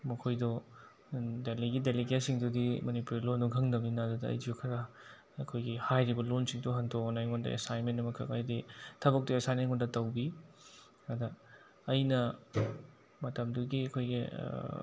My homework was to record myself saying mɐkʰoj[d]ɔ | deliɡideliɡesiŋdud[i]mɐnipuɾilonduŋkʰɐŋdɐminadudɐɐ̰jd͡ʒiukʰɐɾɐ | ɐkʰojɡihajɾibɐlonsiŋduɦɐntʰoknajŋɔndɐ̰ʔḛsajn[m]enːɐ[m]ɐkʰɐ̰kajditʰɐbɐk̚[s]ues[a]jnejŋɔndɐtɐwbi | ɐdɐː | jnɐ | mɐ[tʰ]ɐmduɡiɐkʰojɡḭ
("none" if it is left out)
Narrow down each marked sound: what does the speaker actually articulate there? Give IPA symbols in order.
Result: d, i, m, m, t, a, t

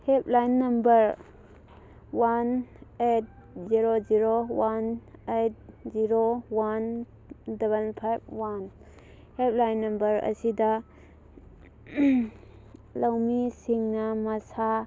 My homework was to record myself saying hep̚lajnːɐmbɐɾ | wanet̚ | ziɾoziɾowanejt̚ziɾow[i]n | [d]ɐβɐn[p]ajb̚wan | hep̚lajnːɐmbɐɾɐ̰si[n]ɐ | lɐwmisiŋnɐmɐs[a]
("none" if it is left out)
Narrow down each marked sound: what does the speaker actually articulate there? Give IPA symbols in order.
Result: a, d, pʰ, d, a

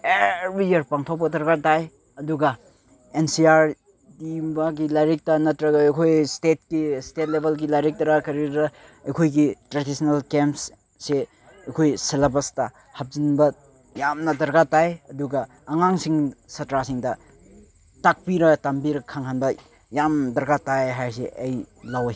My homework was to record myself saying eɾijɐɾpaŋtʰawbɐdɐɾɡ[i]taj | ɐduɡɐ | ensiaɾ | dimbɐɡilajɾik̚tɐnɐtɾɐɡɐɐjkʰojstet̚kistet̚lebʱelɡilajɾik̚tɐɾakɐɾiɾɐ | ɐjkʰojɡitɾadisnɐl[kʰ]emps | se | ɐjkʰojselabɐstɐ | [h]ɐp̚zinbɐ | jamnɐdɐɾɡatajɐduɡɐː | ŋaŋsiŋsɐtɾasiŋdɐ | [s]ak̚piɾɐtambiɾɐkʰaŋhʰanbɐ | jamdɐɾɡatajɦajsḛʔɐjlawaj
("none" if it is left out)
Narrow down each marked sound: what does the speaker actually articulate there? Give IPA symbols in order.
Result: a, k, h, t

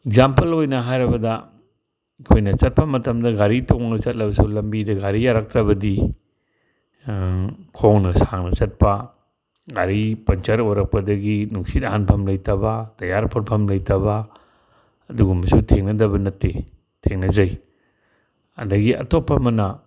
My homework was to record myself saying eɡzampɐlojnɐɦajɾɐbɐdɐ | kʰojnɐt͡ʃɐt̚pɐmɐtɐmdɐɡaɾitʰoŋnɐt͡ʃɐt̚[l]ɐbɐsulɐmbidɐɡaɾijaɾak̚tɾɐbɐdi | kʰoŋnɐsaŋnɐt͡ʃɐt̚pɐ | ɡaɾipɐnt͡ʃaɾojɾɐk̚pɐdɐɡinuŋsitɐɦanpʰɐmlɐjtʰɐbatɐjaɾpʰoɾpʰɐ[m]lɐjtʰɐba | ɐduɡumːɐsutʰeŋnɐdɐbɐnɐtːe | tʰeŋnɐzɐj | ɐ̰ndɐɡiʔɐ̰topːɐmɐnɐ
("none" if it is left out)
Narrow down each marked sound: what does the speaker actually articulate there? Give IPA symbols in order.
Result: l, m

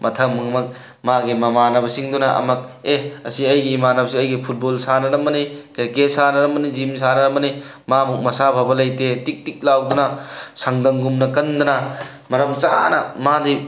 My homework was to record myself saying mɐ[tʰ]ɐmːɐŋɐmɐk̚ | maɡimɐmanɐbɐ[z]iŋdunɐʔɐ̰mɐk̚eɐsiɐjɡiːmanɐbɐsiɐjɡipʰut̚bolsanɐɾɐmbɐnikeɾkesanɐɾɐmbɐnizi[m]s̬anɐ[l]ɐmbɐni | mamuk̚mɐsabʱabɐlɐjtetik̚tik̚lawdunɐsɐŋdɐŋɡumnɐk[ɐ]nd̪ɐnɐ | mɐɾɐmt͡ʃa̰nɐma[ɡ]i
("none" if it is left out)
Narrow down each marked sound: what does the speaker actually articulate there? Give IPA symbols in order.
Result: tʰ, s, m, ɾ, ɐ, d

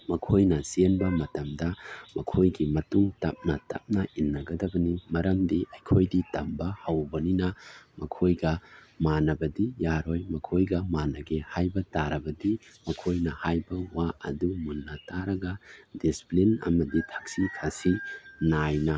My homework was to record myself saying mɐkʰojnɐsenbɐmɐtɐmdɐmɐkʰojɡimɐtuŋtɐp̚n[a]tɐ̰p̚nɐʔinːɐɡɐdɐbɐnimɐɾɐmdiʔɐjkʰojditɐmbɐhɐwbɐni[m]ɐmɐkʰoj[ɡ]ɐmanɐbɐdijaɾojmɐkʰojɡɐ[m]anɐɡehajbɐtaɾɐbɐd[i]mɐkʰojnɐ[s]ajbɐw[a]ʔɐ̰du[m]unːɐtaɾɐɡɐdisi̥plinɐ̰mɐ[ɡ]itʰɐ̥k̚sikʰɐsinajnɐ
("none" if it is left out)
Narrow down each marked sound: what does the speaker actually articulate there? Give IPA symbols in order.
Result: ɐ, n, ɡ, m, i, h, a, m, d

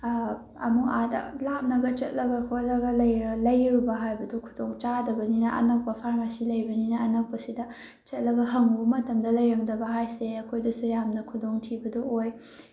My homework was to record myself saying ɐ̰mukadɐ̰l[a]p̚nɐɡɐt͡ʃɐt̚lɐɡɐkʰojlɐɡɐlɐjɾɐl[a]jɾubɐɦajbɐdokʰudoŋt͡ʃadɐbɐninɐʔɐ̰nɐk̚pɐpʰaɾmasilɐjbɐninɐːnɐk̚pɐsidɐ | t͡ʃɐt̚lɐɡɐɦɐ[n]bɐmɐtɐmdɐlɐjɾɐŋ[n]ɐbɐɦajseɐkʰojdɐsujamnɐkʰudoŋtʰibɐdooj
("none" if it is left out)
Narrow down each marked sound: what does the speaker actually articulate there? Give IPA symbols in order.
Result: a, ɐ, ŋ, d

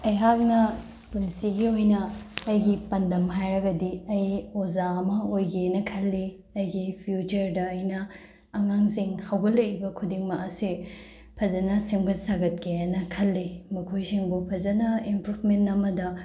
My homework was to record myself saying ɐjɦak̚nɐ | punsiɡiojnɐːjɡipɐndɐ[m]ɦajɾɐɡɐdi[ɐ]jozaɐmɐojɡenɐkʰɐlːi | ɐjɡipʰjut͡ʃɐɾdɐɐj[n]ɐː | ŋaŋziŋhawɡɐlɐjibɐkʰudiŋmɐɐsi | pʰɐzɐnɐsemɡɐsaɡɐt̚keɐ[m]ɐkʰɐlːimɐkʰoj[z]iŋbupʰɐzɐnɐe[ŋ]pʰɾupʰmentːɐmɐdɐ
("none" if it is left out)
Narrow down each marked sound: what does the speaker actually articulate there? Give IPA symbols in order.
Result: m, ɐ, n, n, s, m

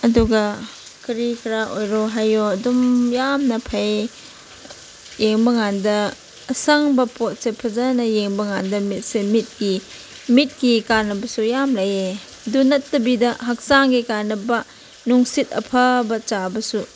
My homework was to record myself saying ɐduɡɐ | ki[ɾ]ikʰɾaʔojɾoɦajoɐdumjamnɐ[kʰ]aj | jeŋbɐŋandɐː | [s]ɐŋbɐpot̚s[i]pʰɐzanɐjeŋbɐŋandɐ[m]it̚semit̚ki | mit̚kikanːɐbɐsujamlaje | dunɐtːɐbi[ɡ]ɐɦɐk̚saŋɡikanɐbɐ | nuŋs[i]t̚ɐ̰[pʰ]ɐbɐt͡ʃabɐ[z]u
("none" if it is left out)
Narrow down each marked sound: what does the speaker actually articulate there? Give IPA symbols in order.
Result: ɾ, pʰ, s, e, m, d, i, pʰ, s

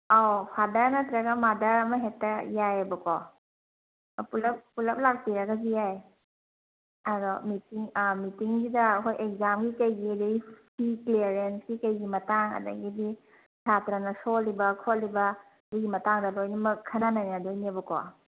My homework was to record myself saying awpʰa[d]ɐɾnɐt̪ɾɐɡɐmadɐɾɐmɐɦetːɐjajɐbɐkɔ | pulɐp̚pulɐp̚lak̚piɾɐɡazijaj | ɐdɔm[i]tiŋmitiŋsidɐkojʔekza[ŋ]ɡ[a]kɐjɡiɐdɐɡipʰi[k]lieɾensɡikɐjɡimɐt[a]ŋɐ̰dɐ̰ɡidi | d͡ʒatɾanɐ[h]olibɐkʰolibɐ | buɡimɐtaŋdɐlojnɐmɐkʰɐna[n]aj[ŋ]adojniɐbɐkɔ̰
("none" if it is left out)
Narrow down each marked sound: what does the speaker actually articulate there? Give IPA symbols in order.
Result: d, i, m, i, k, a, s, n, n

